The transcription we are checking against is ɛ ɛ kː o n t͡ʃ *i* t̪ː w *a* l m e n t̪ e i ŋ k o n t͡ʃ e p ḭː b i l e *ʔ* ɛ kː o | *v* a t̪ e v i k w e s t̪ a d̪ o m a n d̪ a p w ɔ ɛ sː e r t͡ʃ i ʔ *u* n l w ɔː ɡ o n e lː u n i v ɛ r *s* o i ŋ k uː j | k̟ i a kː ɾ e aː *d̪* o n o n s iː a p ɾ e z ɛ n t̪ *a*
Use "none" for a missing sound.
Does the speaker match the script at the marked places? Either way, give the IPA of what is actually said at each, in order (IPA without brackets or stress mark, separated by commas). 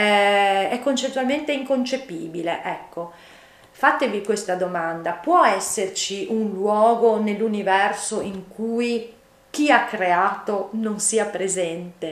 e, a, ʔ, f, u, s, t̪, e